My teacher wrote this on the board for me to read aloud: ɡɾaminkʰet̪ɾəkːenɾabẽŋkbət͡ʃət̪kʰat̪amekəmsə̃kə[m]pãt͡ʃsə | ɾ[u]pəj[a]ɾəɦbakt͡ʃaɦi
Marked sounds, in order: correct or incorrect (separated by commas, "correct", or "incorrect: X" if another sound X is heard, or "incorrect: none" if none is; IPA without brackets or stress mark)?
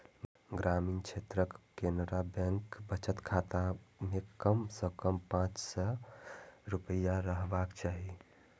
correct, correct, correct